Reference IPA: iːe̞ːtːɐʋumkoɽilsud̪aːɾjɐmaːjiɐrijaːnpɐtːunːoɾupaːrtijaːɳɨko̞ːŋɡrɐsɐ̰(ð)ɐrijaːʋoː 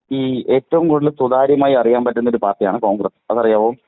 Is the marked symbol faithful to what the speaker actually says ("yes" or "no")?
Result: yes